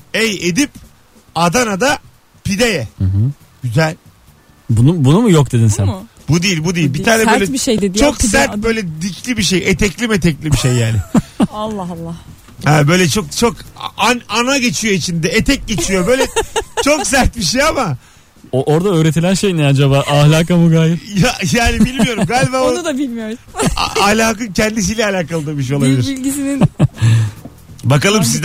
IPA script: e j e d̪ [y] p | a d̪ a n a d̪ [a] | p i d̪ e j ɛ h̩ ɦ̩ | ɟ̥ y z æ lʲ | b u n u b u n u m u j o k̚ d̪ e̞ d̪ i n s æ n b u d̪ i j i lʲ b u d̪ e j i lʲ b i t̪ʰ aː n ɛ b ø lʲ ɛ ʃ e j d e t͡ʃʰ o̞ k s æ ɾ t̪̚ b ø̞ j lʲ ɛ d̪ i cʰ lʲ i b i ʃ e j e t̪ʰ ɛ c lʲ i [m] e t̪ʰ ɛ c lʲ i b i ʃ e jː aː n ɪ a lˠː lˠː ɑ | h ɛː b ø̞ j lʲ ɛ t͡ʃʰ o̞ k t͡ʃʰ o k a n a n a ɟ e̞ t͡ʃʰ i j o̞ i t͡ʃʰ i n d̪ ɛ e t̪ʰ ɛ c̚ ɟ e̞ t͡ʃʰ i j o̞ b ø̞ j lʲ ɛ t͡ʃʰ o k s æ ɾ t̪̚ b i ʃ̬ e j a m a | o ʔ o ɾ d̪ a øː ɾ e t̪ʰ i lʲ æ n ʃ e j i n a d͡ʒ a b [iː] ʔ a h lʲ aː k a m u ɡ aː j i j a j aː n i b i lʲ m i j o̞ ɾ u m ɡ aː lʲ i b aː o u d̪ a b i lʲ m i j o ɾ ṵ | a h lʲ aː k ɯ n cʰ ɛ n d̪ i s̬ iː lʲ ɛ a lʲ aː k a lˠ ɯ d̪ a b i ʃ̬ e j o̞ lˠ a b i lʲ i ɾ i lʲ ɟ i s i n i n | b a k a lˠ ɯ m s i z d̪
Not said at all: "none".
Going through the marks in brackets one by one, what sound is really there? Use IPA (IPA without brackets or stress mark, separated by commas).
i, a, m, aː